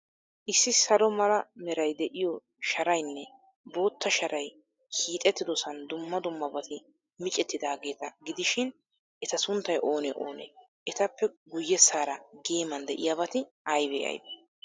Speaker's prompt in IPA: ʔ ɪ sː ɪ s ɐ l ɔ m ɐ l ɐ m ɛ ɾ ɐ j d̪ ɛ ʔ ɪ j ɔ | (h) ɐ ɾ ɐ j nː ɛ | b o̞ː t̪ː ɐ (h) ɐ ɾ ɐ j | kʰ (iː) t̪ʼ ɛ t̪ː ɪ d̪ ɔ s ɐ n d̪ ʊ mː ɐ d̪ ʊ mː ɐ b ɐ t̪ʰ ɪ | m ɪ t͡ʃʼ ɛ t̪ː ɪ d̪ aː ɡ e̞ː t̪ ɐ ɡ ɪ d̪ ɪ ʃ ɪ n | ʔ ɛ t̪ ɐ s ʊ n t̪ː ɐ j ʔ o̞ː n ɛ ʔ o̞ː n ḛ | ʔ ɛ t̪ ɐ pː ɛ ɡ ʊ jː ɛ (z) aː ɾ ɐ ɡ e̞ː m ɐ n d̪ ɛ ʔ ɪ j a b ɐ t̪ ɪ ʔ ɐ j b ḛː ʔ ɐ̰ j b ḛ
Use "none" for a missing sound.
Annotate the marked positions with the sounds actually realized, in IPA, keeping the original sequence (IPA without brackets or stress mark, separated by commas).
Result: ʃ, ʃ, iː, s